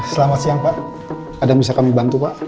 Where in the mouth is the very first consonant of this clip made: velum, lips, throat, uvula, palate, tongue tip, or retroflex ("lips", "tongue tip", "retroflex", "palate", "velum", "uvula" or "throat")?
tongue tip